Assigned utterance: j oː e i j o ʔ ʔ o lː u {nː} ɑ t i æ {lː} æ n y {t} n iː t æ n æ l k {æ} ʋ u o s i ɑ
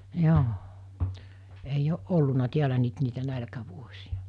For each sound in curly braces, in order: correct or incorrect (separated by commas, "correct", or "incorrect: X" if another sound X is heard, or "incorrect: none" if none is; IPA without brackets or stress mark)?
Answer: incorrect: n, incorrect: l, correct, correct